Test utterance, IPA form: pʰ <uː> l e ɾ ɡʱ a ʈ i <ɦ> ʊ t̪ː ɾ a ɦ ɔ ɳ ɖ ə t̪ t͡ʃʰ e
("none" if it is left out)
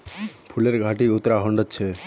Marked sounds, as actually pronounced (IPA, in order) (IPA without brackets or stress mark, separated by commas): u, none